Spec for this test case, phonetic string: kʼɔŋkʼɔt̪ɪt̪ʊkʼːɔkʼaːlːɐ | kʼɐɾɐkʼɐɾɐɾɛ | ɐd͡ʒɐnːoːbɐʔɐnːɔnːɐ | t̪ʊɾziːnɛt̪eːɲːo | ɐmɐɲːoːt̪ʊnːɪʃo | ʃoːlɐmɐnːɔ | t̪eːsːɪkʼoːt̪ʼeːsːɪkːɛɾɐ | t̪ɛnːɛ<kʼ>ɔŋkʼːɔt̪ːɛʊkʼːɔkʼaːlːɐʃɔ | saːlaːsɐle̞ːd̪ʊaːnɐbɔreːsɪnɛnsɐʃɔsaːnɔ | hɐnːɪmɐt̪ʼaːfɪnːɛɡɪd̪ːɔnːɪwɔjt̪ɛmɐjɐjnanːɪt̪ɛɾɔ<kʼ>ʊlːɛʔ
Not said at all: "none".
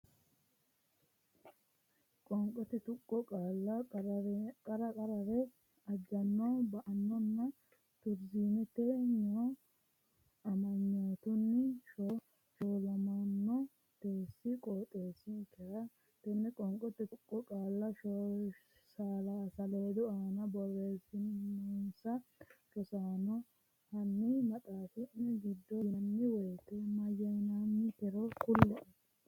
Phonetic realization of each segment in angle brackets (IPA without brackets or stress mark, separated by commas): kʼ, k